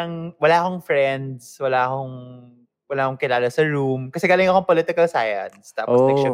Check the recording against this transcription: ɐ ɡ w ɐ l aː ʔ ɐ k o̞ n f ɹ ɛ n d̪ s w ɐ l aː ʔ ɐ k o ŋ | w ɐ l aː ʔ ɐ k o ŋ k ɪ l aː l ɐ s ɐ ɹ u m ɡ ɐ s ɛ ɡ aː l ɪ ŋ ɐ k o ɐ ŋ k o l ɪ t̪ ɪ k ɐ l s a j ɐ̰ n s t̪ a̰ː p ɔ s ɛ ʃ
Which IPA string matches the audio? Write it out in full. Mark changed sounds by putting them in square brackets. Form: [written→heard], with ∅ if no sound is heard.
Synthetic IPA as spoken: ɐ [ɡ→ŋ] w ɐ l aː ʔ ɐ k o̞ [n→ŋ] f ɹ ɛ n d̪ s w ɐ l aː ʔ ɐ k o ŋ | w ɐ l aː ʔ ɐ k o ŋ k ɪ l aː l ɐ s ɐ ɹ u m [ɡ→k] ɐ s ɛ ɡ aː l ɪ ŋ ɐ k o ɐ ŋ [k→p] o l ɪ t̪ ɪ k ɐ l s a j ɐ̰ n s t̪ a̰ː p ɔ s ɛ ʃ